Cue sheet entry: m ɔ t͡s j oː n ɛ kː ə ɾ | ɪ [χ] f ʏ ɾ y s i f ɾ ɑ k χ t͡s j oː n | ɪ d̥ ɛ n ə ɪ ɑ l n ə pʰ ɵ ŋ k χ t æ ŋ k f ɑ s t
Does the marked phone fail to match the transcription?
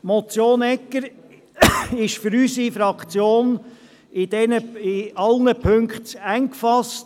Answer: yes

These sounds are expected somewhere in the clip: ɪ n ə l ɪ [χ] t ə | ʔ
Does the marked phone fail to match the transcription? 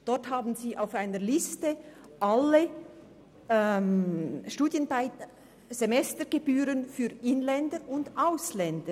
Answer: yes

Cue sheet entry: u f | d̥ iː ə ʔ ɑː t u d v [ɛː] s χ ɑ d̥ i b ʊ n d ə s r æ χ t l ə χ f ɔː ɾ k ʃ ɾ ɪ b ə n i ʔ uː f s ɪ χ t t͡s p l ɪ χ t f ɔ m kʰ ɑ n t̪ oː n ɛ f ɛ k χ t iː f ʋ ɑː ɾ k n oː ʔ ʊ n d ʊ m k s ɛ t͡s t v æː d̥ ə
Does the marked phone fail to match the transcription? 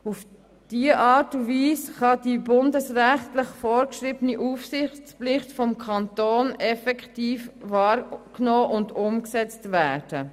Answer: yes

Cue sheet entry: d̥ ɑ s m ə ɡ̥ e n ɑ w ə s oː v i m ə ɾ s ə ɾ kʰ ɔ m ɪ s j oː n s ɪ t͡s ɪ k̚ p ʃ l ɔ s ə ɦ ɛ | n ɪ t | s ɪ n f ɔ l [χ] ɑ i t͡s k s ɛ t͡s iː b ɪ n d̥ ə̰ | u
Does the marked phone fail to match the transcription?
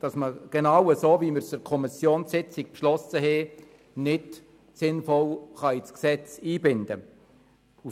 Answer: no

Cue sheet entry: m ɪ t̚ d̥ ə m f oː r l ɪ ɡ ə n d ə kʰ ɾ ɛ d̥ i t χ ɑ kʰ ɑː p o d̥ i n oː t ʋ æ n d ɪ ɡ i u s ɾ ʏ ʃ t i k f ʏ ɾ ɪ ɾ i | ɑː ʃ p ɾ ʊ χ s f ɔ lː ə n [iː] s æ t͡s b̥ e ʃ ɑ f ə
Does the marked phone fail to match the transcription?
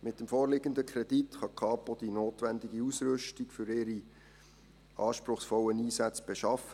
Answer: no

